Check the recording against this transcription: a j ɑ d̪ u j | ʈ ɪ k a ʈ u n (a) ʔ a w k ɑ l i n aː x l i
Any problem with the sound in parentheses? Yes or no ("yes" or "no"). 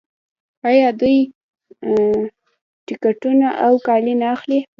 no